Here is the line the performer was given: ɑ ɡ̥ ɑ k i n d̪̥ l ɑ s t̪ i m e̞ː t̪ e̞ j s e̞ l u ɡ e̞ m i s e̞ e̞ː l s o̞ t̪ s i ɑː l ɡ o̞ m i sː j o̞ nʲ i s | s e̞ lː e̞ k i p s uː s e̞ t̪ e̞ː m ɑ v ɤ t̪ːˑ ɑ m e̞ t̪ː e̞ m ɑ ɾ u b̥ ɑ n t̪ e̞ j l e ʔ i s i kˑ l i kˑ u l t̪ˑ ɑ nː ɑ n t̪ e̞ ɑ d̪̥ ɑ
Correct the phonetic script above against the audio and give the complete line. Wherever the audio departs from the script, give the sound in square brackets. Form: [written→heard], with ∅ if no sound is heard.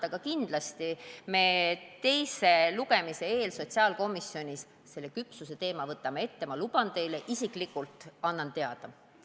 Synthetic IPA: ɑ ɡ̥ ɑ k i n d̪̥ l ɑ s t̪ i m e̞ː t̪ e̞ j s e̞ l u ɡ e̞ m i s e̞ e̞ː l s o̞ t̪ s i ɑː l [ɡ→k] o̞ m i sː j o̞ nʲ i s | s e̞ lː e̞ k [i→y] p s [uː→u] s e̞ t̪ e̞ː m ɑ v ɤ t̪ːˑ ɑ m e̞ t̪ː e̞ m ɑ [ɾ→l] u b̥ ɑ n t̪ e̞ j l e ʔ i s i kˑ l i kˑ u l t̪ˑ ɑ nː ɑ n t̪ e̞ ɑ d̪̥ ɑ